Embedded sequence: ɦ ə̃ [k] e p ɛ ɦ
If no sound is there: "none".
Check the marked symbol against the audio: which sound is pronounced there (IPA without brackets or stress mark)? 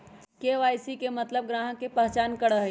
k